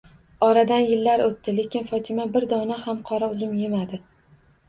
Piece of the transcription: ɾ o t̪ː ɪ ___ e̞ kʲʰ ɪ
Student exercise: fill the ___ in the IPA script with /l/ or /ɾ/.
l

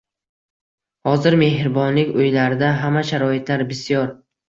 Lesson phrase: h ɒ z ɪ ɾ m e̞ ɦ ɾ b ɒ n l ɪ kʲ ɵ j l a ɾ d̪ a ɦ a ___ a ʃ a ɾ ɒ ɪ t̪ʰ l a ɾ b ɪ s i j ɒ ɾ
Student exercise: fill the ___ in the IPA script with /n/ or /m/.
m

